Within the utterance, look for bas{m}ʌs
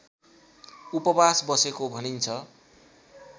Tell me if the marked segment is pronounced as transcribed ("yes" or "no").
no